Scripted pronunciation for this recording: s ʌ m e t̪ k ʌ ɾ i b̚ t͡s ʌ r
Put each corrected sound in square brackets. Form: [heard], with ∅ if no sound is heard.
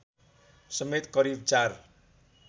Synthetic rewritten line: s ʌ m e t̪ k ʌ ɾ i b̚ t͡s [a] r

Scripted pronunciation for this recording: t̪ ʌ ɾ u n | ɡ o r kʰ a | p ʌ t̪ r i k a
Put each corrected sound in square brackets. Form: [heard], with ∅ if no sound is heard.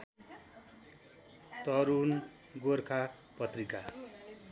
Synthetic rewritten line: t̪ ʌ ɾ u n | ɡ o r kʰ a | p ʌ t̪ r i k a

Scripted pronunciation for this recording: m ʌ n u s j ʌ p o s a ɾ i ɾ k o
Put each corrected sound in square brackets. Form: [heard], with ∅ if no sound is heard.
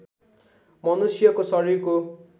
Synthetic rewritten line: m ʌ n u s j ʌ [k] o s [ʌ] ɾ i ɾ k o

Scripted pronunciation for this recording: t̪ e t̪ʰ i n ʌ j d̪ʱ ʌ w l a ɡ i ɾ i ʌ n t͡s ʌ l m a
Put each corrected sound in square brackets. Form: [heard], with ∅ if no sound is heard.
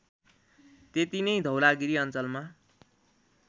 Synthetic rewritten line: t̪ e [t̪] i n ʌ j d̪ʱ ʌ w l a ɡ i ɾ i ʌ n t͡s ʌ l m a

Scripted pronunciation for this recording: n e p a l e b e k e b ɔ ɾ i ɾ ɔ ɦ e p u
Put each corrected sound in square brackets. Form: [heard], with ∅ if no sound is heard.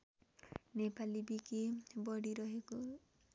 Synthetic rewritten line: n e p a l [i] b [i] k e b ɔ [ɽ] i ɾ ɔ ɦ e [k] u

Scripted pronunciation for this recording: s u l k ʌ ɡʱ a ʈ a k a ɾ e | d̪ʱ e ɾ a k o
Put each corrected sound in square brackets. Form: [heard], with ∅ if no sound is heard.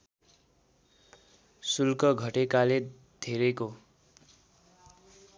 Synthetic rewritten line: s u l k ʌ ɡʱ [ʌ] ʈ [e] k a [l] e | d̪ʱ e ɾ [e] k o

